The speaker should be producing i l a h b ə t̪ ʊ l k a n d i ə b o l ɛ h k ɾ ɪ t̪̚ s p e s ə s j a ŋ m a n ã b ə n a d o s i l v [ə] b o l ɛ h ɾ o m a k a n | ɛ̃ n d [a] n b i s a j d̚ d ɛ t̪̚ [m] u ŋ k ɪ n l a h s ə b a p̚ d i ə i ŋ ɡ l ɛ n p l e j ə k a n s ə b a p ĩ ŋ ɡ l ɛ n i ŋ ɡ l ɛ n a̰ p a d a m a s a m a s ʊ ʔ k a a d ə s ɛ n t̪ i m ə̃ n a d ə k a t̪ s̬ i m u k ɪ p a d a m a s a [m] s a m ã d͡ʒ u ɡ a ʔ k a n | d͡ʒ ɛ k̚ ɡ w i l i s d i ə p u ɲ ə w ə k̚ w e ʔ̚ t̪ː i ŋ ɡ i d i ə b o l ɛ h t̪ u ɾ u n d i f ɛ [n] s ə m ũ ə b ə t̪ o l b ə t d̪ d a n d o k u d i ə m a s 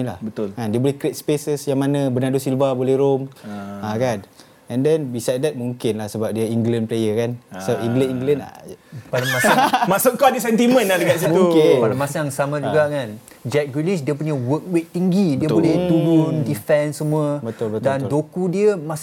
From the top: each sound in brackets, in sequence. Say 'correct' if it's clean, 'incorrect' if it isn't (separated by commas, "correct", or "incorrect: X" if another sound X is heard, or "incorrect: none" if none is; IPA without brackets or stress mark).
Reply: incorrect: a, incorrect: ɛ, correct, incorrect: ŋ, correct